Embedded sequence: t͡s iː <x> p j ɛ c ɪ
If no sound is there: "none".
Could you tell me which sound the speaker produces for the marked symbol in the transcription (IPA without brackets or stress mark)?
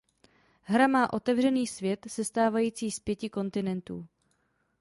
s